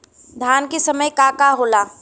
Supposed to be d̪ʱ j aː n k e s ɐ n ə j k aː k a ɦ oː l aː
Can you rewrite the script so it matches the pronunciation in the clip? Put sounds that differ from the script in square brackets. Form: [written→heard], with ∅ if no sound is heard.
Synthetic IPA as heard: d̪ʱ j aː n k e s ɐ [n→m] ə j k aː k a ɦ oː l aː